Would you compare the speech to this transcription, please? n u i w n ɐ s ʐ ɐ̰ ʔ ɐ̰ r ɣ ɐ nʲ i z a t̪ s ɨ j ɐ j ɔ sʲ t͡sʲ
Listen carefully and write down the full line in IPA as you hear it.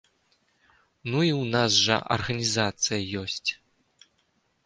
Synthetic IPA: n u i w n a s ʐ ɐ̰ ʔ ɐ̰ r ɣ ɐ nʲ i z a t̪ s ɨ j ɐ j ɔ sʲ t͡sʲ